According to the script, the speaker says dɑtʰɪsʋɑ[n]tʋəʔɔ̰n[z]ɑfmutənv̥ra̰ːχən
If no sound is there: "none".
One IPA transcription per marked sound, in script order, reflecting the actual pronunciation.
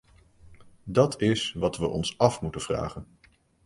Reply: none, s

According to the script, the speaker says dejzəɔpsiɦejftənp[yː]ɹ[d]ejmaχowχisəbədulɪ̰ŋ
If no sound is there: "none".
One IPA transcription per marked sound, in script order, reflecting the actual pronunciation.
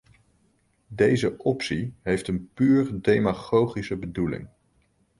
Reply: yː, d

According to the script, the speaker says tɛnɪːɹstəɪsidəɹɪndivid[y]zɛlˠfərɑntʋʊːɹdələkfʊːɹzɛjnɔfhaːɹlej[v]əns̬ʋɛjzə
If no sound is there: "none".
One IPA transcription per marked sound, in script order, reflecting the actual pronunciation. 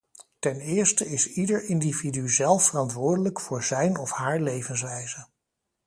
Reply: y, v

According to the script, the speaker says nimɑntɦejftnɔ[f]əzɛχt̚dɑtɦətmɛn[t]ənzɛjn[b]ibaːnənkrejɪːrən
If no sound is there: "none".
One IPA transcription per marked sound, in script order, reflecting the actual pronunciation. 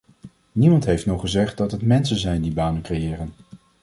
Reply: χ, s, d

